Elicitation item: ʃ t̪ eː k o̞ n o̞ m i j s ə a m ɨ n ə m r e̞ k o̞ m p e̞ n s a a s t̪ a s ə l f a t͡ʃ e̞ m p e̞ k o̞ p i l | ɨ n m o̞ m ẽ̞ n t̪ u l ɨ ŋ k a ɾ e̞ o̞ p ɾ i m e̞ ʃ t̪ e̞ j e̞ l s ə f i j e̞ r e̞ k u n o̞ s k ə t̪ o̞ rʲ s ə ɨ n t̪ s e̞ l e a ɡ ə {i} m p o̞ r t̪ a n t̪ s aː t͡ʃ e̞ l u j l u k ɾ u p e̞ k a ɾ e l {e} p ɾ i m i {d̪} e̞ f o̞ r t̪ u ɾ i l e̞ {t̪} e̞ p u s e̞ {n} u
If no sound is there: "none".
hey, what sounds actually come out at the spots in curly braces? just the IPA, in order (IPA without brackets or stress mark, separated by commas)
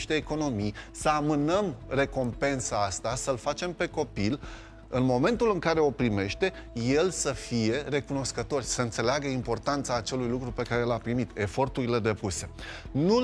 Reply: i, a, t̪, d̪, n